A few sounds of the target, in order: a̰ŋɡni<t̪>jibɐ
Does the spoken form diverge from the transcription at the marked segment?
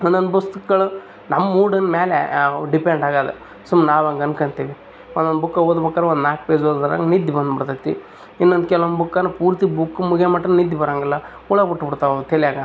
yes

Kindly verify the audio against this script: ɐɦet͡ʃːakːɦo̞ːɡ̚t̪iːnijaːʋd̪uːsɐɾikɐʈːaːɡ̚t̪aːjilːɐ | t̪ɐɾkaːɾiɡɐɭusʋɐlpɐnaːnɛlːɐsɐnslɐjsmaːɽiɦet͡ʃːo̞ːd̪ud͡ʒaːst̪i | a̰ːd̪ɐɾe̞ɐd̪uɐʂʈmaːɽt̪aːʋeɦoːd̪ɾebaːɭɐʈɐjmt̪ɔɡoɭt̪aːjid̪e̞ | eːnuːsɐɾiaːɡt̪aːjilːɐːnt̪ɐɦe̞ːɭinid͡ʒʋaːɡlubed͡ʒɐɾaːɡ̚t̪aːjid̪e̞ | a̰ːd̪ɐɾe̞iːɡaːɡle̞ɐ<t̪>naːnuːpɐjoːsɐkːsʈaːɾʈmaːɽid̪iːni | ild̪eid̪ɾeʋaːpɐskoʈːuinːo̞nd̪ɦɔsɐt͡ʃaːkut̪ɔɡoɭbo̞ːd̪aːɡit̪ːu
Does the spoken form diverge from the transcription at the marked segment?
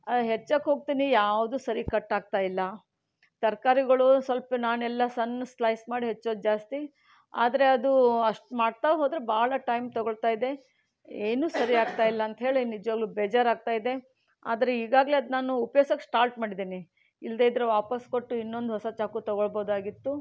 yes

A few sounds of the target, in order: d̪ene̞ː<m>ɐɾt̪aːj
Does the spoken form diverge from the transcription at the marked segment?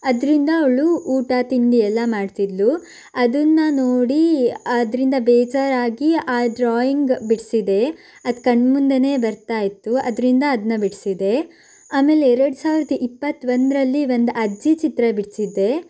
yes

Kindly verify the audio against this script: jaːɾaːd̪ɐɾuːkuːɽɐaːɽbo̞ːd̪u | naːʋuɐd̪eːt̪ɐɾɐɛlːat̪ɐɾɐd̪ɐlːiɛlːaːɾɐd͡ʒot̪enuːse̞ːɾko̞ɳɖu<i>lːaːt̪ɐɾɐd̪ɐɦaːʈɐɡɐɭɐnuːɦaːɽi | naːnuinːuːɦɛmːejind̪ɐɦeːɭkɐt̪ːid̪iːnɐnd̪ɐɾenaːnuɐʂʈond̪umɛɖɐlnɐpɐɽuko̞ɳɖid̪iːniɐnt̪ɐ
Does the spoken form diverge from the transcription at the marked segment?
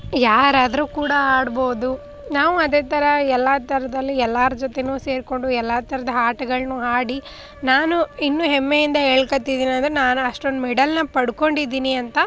yes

